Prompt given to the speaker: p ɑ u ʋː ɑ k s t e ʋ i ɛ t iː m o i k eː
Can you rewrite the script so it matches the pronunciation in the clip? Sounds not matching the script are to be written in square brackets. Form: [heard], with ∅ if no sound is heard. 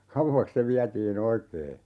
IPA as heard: [k] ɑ u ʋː ɑ k s [s] e ʋ i [æ] t iː [n] o i k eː